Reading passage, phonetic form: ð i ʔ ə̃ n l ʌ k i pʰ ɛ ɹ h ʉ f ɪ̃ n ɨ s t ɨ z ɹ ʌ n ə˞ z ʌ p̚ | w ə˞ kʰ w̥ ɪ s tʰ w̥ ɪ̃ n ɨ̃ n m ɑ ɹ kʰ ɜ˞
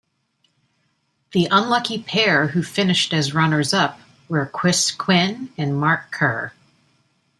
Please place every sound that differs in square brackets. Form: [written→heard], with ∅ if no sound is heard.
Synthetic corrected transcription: ð i ʔ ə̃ n l ʌ k i pʰ ɛ ɹ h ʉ f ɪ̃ n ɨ [s→ʃ] t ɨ z ɹ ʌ n ə˞ z ʌ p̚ | w ə˞ kʰ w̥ ɪ s [tʰ→kʰ] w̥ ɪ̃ n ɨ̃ n m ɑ ɹ kʰ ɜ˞

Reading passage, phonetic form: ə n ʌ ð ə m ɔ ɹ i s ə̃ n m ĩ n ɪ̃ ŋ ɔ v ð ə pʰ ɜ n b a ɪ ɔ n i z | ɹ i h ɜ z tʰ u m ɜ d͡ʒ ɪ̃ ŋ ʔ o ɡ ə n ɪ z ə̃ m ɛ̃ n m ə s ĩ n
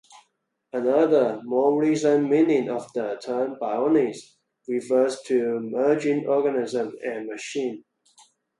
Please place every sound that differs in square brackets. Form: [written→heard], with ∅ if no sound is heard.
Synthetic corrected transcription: ə n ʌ ð ə m ɔ ɹ i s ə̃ n m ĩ n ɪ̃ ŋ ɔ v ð ə [pʰ→tʰ] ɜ n b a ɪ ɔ n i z | ɹ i [h→f] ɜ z tʰ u m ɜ d͡ʒ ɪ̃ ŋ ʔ [o→ɔ] ɡ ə n ɪ z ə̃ m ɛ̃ n m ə [s→ʃ] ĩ n

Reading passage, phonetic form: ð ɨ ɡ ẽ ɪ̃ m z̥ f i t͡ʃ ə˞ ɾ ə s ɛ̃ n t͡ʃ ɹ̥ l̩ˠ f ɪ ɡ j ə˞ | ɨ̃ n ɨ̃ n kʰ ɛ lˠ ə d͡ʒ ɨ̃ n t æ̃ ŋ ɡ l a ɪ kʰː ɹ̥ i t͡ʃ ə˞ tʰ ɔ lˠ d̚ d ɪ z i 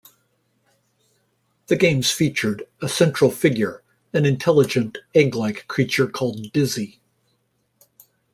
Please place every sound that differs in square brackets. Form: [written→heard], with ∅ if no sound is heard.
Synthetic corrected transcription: ð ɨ ɡ ẽ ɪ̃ m z̥ f i t͡ʃ ə˞ ɾ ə s ɛ̃ n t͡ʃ ɹ̥ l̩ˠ f ɪ ɡ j ə˞ | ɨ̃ n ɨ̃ n [kʰ→tʰ] ɛ lˠ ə d͡ʒ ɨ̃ n t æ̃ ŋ ɡ l a ɪ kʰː ɹ̥ i t͡ʃ ə˞ [tʰ→kʰ] ɔ lˠ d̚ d ɪ z i

